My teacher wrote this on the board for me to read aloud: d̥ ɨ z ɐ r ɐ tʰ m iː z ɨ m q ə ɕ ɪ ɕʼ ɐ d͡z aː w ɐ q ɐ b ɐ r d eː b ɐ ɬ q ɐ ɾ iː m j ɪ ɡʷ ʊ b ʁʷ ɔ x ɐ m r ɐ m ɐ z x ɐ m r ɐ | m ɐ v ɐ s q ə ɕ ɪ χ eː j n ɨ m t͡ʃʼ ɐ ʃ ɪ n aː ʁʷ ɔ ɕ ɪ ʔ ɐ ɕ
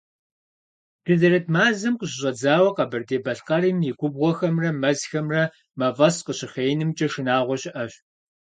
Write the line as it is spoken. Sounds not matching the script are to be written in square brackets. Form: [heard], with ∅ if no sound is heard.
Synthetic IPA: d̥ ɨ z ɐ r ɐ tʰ m [aː] z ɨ m q ə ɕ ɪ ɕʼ ɐ d͡z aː w ɐ q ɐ b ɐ r d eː b ɐ ɬ q ɐ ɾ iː m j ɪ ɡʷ ʊ b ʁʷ ɔ x ɐ m r ɐ m ɐ z x ɐ m r ɐ | m ɐ v ɐ s q ə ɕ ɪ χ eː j n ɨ m t͡ʃʼ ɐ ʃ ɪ n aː ʁʷ ɔ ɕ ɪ ʔ ɐ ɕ